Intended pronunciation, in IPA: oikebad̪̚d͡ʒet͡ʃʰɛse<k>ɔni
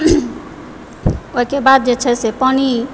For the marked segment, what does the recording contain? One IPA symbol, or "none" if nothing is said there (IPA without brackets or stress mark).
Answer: p